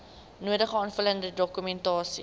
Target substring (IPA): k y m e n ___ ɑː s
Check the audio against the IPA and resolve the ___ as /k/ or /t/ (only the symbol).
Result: t